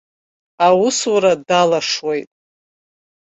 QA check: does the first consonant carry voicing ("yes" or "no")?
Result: yes